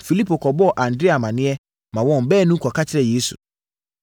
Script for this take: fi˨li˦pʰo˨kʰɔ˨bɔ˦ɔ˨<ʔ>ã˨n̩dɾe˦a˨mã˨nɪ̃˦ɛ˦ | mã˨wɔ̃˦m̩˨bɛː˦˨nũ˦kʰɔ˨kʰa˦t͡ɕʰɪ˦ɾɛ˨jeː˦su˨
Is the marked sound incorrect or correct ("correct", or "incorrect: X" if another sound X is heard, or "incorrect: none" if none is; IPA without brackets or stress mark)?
correct